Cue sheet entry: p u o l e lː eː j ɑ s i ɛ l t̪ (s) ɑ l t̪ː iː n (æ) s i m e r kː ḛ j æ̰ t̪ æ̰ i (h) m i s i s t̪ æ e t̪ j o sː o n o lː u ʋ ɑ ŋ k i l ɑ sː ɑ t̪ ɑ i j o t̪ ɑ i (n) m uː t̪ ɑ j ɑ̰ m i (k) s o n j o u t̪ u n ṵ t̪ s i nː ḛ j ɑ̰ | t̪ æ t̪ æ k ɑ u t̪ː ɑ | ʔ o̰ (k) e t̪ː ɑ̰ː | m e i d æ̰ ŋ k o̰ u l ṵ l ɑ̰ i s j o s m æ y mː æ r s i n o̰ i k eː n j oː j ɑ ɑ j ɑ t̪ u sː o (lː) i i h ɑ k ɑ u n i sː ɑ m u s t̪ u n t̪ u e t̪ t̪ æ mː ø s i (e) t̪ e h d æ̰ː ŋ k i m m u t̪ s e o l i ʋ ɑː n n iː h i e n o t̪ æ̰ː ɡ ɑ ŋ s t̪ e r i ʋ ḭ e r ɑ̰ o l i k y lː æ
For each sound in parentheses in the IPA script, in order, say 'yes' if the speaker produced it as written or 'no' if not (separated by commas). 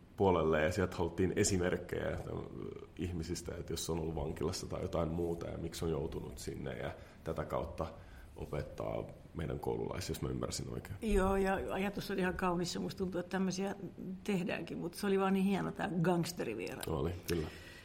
no, no, yes, no, yes, no, no, no